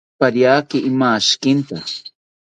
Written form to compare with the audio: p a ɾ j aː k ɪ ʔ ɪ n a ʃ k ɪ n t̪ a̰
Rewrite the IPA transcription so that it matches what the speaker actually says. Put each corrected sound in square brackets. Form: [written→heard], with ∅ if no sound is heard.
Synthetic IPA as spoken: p a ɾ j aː k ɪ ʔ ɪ [n→m] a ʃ k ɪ n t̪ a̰